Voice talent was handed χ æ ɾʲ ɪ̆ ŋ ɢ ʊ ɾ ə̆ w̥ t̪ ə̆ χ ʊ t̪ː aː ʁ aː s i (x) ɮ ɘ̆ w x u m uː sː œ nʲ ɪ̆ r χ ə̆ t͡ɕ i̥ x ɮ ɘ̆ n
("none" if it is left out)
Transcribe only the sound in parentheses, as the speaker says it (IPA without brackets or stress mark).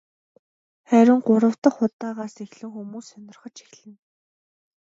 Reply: x